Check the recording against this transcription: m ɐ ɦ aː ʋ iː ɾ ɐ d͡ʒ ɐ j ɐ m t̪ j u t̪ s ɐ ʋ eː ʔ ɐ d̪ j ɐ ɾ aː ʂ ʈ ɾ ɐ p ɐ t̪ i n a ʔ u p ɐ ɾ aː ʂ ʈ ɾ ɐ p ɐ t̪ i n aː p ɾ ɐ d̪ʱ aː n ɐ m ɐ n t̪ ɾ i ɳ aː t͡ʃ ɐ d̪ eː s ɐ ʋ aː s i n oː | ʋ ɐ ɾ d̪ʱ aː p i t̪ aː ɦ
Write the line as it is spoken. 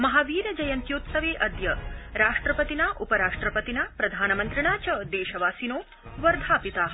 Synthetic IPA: m ɐ ɦ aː ʋ iː ɾ ɐ d͡ʒ ɐ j ɐ n t̪ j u t̪ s ɐ ʋ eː ʔ ɐ d̪ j ɐ ɾ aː ʂ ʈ ɾ ɐ p ɐ t̪ i n a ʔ u p ɐ ɾ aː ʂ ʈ ɾ ɐ p ɐ t̪ i n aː p ɾ ɐ d̪ʱ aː n ɐ m ɐ n t̪ ɾ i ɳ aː t͡ʃ ɐ d̪ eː ʃ ɐ ʋ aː s i n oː | ʋ ɐ ɾ d̪ʱ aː p i t̪ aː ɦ